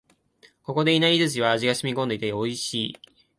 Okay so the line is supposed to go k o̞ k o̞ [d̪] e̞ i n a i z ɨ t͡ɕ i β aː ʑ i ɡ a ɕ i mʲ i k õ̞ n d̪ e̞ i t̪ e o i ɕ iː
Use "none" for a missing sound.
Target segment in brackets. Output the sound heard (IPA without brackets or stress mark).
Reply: d̪